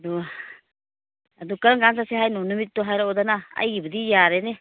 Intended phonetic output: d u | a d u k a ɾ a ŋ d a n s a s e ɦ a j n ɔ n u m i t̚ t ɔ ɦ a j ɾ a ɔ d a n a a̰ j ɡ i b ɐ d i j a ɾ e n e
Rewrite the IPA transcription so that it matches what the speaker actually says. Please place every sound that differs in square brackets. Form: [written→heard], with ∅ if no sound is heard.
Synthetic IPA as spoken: d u | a d u k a ɾ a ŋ [d→ɡ] a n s a s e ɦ a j n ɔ n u m i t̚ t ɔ ɦ a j ɾ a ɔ d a n a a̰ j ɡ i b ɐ d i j a ɾ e n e